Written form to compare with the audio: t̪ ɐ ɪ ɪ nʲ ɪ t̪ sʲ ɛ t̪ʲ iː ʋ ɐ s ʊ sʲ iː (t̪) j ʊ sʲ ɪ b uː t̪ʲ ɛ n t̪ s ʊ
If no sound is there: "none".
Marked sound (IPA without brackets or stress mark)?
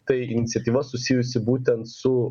none